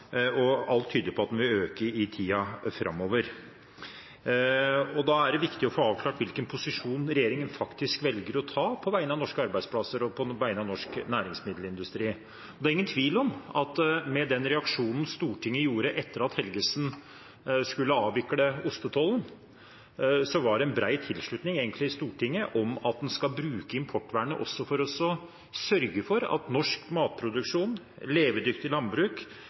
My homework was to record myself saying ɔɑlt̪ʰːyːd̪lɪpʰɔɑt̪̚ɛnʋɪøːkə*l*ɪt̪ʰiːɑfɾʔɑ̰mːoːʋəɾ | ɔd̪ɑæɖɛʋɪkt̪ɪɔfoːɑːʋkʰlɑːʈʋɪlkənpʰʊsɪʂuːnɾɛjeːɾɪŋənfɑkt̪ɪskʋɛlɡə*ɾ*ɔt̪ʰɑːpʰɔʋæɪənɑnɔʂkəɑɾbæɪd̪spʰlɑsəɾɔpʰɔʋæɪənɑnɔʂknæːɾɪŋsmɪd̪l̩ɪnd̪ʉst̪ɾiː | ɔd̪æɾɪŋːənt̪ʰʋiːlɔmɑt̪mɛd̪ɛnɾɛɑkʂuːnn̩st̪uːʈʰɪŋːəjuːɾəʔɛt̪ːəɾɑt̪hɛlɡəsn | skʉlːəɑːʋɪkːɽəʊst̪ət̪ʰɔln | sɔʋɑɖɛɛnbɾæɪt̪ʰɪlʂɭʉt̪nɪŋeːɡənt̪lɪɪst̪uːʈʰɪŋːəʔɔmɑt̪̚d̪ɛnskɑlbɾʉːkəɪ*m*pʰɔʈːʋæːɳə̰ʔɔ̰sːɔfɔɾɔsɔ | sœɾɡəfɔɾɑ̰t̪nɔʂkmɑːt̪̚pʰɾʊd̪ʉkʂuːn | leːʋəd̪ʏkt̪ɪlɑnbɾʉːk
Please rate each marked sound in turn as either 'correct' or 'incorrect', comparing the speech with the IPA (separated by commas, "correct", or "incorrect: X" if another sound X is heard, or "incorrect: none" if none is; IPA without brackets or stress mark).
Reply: incorrect: ɾ, correct, correct